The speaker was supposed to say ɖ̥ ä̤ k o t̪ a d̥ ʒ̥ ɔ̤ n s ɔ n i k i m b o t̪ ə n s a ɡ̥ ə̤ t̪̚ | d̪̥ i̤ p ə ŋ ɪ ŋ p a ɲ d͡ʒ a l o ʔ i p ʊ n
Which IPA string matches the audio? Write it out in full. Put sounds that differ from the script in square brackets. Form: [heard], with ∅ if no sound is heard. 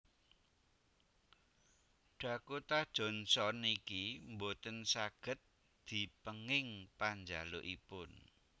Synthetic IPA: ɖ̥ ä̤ k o t̪ a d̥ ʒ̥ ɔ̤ n s ɔ n i k i m b o t̪ ə n s a ɡ̥ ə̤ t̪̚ | d̪̥ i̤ p ə ŋ ɪ ŋ p a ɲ d͡ʒ a l o ʔ i p ʊ n